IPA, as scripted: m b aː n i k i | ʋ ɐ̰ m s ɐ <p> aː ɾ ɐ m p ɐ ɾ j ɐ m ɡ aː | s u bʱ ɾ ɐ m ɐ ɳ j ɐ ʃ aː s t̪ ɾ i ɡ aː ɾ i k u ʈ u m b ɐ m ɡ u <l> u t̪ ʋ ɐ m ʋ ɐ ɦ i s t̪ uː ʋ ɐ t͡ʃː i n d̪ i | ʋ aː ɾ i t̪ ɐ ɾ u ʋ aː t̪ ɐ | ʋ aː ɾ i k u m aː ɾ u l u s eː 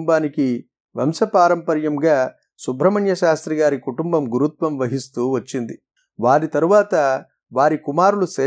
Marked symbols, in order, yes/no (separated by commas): yes, no